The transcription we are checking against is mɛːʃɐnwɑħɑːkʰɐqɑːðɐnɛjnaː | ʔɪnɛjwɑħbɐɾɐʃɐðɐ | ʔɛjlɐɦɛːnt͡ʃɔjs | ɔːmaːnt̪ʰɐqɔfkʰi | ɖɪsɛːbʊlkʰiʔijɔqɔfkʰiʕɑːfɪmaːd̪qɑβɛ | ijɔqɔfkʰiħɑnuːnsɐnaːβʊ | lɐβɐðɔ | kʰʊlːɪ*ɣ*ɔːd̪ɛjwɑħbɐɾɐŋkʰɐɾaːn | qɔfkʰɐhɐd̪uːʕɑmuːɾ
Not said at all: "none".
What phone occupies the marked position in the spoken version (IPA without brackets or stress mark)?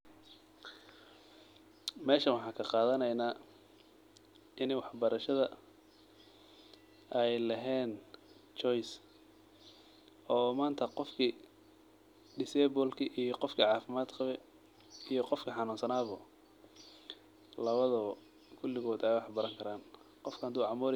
ɣ